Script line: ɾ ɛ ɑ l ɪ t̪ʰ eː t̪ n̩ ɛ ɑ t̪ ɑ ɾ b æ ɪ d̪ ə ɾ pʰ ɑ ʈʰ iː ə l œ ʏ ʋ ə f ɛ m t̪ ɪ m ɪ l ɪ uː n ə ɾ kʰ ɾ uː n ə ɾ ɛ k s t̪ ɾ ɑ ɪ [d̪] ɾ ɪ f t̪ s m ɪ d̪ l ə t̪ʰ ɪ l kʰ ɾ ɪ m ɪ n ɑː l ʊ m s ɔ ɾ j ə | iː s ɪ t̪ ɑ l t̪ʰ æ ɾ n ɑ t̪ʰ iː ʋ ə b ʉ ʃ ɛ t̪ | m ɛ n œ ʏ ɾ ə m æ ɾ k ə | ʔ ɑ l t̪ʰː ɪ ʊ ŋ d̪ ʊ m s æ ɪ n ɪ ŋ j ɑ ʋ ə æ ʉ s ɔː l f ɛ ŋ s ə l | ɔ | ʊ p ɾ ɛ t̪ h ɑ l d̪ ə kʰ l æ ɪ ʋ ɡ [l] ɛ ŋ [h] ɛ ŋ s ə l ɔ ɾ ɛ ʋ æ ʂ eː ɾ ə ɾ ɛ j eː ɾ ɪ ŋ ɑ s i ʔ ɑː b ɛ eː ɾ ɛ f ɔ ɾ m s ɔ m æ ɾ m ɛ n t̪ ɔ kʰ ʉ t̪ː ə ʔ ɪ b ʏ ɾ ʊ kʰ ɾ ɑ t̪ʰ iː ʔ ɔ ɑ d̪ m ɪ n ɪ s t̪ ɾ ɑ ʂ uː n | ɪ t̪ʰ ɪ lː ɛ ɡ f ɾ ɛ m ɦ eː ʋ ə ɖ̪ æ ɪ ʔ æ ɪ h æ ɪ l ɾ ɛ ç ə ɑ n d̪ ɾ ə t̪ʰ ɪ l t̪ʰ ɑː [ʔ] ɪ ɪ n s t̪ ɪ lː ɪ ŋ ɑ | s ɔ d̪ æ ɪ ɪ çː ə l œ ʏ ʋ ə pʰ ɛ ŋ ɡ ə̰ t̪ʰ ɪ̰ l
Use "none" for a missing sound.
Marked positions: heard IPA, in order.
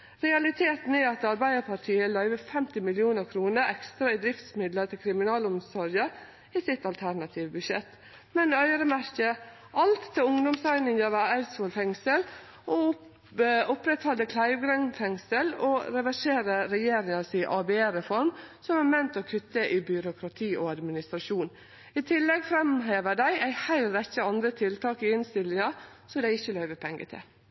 d̪, ɾ, f, k

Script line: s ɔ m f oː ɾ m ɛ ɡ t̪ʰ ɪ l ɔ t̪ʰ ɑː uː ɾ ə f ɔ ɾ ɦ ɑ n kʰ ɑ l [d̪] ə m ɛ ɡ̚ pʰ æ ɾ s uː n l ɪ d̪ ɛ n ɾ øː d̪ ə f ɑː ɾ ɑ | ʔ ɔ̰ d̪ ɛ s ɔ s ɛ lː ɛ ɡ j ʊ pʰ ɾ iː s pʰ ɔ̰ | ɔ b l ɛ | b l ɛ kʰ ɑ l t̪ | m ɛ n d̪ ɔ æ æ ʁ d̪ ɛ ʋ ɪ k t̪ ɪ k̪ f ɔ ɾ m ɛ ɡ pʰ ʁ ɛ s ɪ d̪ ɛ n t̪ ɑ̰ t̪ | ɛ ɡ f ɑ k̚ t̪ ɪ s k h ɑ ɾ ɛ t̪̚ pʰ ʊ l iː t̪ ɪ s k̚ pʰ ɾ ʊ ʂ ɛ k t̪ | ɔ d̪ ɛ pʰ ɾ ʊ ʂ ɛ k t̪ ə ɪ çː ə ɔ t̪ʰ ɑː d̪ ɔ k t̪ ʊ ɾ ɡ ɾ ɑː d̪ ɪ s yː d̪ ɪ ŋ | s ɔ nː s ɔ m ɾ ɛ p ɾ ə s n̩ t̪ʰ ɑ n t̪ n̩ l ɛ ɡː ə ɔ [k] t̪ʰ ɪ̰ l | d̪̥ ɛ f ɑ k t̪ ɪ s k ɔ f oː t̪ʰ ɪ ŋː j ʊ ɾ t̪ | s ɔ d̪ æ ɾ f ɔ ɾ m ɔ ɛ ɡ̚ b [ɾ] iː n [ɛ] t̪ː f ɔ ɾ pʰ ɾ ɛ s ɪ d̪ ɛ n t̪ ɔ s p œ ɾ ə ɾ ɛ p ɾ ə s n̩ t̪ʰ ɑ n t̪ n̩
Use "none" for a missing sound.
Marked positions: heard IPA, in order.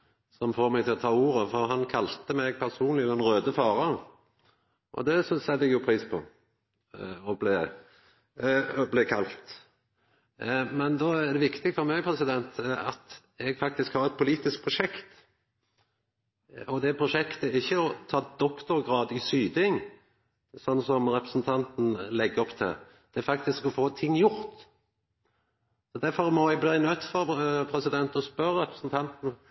t̪, p, l, œ

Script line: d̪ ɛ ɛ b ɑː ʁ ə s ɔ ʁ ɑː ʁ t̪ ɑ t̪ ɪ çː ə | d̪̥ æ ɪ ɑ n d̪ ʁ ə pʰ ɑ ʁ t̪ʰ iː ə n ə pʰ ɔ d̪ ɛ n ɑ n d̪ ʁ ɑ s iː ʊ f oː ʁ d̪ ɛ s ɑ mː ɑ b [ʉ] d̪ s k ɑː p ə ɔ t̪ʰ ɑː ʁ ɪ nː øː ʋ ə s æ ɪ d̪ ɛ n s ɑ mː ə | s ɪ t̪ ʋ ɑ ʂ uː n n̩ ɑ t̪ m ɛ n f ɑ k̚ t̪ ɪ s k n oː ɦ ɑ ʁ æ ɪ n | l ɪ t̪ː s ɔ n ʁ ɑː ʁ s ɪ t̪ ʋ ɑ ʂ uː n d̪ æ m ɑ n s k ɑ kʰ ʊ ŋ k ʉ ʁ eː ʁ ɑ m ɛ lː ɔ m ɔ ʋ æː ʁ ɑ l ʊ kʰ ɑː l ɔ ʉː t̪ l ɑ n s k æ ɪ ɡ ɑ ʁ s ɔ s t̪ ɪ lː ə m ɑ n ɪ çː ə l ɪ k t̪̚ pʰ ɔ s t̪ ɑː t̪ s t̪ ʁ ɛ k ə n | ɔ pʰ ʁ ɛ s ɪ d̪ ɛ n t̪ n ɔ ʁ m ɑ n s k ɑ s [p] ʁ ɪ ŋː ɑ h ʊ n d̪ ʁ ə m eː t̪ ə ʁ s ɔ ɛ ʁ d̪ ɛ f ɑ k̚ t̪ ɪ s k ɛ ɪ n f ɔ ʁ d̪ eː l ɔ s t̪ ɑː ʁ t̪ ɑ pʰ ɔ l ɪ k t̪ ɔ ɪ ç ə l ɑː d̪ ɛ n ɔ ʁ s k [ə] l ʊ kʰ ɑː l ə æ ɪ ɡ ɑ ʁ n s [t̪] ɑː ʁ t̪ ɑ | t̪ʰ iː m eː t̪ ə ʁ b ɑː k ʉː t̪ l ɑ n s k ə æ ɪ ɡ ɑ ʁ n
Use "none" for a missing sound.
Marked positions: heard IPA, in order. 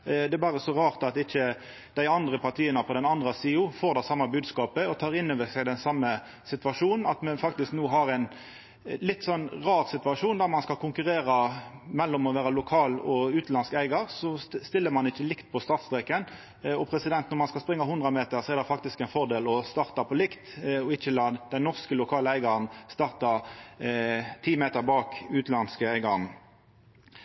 ʉː, p, ə, t̪

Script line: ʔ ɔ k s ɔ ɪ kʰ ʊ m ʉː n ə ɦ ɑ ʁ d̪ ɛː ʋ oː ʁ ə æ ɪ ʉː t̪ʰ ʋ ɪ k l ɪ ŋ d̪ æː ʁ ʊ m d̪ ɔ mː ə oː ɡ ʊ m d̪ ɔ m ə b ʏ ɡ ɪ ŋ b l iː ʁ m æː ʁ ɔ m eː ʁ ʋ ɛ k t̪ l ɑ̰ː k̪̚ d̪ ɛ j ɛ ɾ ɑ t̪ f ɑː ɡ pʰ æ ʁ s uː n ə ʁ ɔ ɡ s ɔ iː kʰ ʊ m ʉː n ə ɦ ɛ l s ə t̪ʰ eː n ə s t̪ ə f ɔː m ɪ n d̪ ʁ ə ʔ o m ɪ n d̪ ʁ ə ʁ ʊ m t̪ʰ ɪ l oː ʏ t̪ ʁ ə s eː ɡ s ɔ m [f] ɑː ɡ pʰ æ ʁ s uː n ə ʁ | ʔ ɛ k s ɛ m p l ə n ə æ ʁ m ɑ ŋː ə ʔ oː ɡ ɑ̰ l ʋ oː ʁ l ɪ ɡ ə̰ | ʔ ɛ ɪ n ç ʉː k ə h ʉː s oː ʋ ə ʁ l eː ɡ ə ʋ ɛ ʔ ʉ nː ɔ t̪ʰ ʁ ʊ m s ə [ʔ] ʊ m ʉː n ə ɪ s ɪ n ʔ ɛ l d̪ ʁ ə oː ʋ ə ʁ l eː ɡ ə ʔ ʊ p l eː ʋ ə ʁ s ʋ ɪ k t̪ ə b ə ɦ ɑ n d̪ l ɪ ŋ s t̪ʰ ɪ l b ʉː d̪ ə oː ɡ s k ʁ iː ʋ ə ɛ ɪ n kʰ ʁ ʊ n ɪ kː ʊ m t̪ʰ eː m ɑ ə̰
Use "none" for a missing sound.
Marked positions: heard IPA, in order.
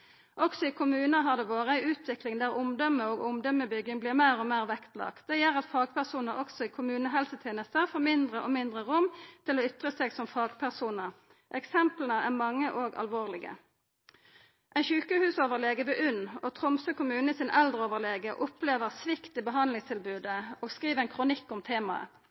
f, k

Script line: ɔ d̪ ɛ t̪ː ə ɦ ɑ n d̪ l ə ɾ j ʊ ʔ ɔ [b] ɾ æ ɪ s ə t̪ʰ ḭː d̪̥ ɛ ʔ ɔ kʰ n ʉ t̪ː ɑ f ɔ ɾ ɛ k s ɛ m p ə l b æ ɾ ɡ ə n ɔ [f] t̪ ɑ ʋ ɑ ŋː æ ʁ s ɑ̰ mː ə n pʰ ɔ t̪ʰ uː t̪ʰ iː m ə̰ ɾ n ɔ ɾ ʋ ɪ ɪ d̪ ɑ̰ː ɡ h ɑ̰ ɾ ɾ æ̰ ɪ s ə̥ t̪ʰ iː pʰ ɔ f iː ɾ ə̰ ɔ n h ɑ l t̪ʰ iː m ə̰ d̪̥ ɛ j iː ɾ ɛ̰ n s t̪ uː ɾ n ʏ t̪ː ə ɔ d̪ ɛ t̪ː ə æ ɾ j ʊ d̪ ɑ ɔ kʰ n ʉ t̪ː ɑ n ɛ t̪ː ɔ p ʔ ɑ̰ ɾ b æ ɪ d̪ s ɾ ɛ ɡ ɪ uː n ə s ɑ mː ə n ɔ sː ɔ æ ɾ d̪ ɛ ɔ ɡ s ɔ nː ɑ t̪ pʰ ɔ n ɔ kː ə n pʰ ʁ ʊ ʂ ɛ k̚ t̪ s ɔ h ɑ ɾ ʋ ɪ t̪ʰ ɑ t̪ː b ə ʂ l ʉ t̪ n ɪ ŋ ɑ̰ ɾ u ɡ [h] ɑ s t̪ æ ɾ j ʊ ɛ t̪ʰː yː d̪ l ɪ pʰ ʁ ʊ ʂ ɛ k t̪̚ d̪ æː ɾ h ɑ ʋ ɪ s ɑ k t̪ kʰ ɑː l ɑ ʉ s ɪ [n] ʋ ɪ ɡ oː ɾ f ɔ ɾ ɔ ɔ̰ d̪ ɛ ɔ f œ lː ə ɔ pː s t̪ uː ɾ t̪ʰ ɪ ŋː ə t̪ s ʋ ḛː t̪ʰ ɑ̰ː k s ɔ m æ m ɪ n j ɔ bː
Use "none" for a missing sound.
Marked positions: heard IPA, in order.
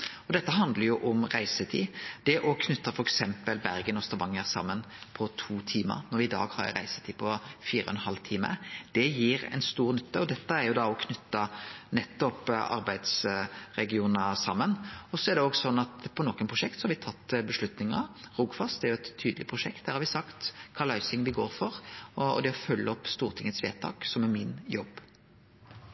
m, s, f, ŋ

